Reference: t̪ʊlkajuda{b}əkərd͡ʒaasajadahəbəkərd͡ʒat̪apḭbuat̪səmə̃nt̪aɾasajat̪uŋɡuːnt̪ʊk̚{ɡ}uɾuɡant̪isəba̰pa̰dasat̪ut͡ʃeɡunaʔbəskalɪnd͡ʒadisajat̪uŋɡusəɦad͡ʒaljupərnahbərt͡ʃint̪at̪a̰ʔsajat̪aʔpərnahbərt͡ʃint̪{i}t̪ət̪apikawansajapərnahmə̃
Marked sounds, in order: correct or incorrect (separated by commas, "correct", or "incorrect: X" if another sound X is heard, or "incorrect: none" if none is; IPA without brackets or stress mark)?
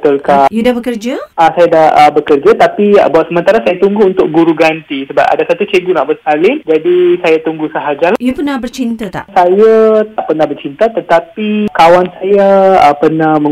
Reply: correct, correct, incorrect: a